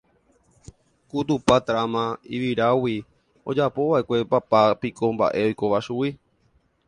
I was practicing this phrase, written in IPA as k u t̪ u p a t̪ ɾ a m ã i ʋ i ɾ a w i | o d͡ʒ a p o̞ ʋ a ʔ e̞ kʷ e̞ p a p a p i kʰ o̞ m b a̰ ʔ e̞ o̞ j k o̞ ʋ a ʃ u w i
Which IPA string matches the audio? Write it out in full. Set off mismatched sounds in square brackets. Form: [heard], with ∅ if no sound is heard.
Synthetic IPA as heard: k u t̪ u p a t̪ ɾ a m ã i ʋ i ɾ a w i | o d͡ʒ a p o̞ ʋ a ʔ e̞ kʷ e̞ p a p a p i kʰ o̞ m b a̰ ʔ e̞ o̞ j k o̞ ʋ a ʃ u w i